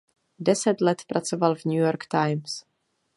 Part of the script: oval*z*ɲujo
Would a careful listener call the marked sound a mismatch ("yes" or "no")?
yes